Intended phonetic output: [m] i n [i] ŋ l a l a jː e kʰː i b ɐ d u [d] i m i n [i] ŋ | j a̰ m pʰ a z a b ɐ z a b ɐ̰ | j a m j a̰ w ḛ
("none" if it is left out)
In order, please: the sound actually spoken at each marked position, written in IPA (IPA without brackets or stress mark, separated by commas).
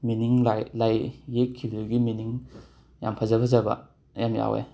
m, i, ɡ, i